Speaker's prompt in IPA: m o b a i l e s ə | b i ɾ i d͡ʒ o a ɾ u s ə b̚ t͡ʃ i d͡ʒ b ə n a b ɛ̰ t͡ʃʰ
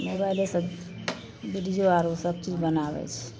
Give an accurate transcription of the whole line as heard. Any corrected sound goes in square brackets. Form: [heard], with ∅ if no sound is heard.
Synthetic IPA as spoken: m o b a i l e s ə | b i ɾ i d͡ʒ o a ɾ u s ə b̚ t͡ʃ i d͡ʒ b ə n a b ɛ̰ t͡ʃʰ

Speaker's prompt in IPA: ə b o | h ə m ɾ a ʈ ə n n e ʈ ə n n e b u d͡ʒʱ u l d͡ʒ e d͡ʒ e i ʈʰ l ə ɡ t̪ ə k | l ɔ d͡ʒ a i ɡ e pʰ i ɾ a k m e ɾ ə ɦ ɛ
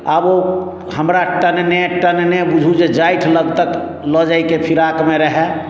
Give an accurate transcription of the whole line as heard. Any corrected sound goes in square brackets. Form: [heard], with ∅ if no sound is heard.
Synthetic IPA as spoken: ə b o | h ə m ɾ a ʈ ə n n e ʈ ə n n e b u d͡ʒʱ u [∅] d͡ʒ e d͡ʒ [a] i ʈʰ l ə ɡ t̪ ə k | l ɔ d͡ʒ a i [k] e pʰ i ɾ a k m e ɾ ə ɦ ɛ

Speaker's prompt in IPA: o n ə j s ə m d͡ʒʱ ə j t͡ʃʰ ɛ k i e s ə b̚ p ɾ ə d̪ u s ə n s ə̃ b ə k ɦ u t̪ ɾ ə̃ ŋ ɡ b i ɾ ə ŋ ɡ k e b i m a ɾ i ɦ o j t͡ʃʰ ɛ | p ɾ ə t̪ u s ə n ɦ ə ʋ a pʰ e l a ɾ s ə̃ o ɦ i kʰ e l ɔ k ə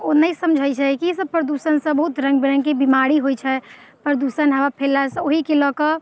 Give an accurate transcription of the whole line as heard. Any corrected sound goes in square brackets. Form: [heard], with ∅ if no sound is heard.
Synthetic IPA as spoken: o n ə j s ə m d͡ʒʱ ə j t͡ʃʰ ɛ k i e s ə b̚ p ɾ ə d̪ u s ə n s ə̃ b ə [∅] ɦ u t̪ ɾ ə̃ ŋ ɡ b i ɾ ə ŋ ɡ k e b i m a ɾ i ɦ o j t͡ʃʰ ɛ | p ɾ ə [d̪] u s ə n ɦ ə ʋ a pʰ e l a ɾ s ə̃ o ɦ i [k] e l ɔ k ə

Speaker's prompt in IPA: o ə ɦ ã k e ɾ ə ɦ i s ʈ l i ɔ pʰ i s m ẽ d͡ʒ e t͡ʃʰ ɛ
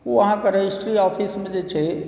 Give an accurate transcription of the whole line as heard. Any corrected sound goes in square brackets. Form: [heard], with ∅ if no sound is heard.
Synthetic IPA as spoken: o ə ɦ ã k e ɾ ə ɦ i s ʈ [ɾ] i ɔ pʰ i s m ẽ d͡ʒ e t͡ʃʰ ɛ

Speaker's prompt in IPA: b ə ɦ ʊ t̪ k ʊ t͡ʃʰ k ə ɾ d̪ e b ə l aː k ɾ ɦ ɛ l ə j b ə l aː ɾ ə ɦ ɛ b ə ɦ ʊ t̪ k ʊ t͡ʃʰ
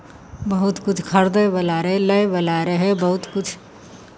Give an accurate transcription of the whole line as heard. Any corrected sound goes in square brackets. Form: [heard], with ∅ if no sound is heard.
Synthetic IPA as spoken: b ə ɦ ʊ t̪ k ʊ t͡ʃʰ [kʰ] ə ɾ d̪ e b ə l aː [∅] ɾ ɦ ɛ l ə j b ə l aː ɾ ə ɦ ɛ b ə ɦ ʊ t̪ k ʊ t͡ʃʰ

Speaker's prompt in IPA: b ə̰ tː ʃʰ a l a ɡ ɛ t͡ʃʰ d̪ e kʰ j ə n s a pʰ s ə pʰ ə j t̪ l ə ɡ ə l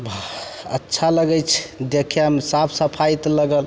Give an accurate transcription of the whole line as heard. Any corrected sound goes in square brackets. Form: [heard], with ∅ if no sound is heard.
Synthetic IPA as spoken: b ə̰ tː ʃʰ a l [ə] ɡ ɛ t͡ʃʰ d̪ e kʰ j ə [m] s a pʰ s ə pʰ [a] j t̪ l ə ɡ ə l

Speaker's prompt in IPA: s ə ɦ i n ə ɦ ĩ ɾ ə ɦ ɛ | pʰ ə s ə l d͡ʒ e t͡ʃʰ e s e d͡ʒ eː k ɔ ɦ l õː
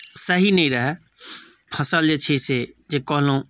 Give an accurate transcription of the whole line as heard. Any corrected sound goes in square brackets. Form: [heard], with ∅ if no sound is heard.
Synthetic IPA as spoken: s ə ɦ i n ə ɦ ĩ ɾ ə ɦ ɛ | pʰ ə s ə l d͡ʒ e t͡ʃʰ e s e d͡ʒ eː k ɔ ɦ l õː

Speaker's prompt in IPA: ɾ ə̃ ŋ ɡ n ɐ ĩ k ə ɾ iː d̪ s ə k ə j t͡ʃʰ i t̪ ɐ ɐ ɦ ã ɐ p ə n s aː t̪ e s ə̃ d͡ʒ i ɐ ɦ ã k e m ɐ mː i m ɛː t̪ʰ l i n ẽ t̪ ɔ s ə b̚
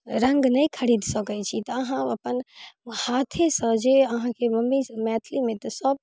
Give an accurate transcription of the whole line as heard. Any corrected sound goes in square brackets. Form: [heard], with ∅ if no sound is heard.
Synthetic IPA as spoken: ɾ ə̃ ŋ ɡ n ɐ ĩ [kʰ] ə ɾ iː d̪ s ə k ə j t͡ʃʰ i t̪ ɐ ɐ ɦ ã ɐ p ə n [h] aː [t̪ʰ] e s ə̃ d͡ʒ [e] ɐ ɦ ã k e m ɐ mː i m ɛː t̪ʰ l i [m] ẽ t̪ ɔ s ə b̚

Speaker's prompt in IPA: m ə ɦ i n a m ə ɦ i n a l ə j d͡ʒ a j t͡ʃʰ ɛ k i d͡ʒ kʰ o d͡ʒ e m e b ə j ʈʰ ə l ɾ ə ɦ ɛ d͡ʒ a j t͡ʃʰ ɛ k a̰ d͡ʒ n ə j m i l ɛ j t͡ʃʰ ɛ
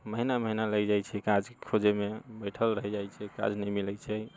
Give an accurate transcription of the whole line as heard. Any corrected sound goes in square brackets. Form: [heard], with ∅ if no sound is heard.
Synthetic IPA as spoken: m ə ɦ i n a m ə ɦ i n a l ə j d͡ʒ a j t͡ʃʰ ɛ k [a] d͡ʒ kʰ o d͡ʒ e m e b ə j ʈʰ ə l ɾ ə ɦ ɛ d͡ʒ a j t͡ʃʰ ɛ k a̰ d͡ʒ n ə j m i l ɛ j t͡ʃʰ ɛ

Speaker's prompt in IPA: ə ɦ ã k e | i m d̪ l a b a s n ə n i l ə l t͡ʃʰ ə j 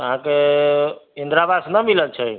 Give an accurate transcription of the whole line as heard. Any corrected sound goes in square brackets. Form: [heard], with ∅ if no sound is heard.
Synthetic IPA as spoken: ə ɦ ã k e | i [n] d̪ [ɾ] a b a s n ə [m] i l ə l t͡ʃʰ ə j

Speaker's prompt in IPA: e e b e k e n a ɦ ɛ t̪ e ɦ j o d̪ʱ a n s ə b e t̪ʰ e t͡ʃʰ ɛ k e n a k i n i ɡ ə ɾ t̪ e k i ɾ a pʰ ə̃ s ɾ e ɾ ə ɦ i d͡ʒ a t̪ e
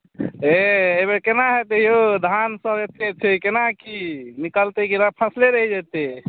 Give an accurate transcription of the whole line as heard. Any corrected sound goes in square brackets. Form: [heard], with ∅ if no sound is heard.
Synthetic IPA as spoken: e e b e k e n a ɦ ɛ t̪ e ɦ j o d̪ʱ a n s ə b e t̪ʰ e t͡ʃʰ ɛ k e n a k i n i [k] ə [l] t̪ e k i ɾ a pʰ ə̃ s [l] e ɾ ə ɦ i d͡ʒ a t̪ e

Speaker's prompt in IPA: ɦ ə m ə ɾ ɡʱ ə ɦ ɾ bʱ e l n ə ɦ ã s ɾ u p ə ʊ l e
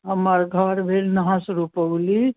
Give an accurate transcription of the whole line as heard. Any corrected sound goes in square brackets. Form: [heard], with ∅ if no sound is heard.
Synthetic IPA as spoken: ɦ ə m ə ɾ ɡʱ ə [∅] ɾ bʱ e l n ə ɦ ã s ɾ u p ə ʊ l [i]

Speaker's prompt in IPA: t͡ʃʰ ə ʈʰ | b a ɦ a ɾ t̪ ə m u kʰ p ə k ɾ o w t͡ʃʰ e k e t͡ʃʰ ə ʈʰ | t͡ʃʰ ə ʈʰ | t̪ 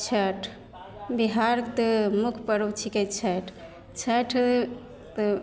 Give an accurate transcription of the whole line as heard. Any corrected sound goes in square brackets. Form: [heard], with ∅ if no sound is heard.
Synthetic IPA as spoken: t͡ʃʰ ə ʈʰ | b [i] ɦ a ɾ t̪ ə m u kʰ p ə [∅] ɾ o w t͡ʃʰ [i] k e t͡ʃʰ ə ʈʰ | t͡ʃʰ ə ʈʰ | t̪

